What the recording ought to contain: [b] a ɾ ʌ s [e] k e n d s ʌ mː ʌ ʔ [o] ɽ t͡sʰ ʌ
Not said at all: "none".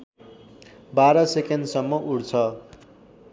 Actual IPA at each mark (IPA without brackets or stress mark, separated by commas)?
b, e, u